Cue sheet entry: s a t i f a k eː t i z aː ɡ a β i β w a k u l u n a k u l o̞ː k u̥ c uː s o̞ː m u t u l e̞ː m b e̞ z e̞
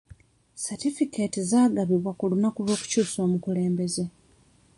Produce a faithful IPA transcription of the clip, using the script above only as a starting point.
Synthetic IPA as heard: s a t i f i k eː t i z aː ɡ a β i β w a k u l u n a k u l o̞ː k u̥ c uː s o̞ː m u k u l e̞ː m b e̞ z e̞

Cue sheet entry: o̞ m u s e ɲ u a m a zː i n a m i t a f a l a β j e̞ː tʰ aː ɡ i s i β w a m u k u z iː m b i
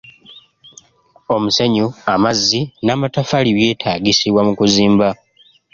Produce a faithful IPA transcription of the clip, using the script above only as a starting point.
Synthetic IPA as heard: o̞ m u s e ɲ u a m a zː i n a m a t a f a l i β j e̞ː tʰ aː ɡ i s i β w a m u k u z iː m b a

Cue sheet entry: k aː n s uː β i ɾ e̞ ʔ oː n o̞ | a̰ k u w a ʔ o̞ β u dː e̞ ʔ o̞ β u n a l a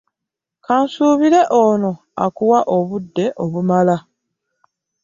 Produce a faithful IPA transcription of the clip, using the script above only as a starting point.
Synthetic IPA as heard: k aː n s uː β i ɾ e̞ ʔ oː n o̞ | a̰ k u w a ʔ o̞ β u dː e̞ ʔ o̞ β u m a l a

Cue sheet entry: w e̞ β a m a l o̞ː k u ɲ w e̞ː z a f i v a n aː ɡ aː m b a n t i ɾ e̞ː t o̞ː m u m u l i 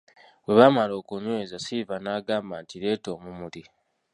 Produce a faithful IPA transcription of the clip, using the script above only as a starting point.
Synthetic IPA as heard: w e̞ β a m a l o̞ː k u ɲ w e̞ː z a s i v a n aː ɡ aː m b a n t i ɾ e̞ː t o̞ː m u m u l i

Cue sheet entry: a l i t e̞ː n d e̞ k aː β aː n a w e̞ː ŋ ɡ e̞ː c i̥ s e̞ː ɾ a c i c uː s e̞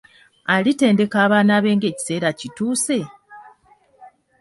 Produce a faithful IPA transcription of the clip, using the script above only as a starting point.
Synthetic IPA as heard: a l i t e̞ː n d e̞ k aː β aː n a β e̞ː ŋ ɡ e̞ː c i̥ s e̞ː ɾ a c i t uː s e̞

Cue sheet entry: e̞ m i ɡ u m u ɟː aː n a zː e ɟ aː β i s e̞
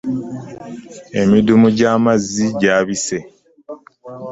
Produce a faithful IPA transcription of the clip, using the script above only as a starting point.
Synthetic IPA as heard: e̞ m i d u m u ɟ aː m a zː i ɟ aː β i s e̞

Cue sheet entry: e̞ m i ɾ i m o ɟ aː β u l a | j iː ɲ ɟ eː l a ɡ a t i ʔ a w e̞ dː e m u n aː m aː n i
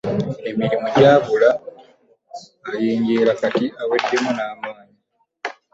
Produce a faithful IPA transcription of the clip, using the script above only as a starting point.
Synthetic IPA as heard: e̞ m i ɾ i m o ɟ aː β u l a | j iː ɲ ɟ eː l a k a t i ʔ a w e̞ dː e m u n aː m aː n i

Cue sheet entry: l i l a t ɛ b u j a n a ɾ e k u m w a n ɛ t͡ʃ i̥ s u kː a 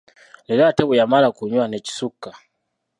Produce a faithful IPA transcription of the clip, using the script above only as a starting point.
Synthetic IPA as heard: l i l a t ɛ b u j a m a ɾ a k u ɲ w a n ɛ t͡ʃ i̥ s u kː a

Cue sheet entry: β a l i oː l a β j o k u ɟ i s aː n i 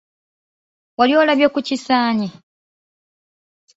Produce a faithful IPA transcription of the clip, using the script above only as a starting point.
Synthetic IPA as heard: w a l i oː l a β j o k u c i s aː ɲ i

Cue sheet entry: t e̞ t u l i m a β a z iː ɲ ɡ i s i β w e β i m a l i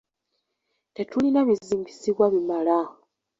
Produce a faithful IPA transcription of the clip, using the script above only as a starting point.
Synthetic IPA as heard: t e̞ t u l i n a β i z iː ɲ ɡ i s i β w a β i m a l a

